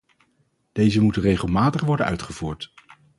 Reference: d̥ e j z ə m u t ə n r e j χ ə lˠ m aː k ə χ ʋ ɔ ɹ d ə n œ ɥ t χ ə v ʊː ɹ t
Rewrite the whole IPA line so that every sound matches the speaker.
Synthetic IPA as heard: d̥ e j z ə m u t ə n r e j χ ə lˠ m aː t ə χ ʋ ɔ ɹ d ə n œ ɥ t χ ə v uː ɹ t